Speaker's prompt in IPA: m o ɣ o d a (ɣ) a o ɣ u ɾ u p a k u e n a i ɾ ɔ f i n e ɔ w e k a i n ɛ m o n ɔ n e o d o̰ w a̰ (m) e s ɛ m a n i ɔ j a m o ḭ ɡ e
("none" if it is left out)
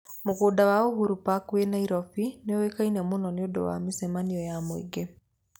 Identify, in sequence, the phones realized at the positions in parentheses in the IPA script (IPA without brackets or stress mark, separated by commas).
w, m